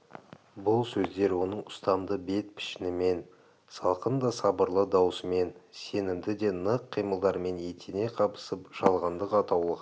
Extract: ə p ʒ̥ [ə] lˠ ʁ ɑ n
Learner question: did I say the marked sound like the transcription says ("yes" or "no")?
no